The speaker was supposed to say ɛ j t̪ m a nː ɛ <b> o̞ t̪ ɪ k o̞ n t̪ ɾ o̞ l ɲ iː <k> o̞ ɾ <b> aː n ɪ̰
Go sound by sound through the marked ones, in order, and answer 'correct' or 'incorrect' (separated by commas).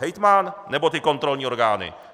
correct, incorrect, incorrect